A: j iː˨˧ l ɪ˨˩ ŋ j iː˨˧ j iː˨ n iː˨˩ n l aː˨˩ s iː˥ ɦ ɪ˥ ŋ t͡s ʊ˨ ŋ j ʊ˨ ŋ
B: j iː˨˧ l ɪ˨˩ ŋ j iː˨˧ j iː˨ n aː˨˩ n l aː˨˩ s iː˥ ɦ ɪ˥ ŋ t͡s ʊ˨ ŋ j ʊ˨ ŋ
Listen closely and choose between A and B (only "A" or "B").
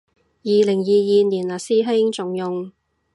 A